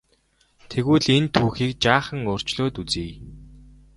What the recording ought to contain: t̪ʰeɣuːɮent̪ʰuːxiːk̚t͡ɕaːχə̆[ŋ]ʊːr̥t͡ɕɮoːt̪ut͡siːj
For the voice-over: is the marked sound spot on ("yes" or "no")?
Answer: yes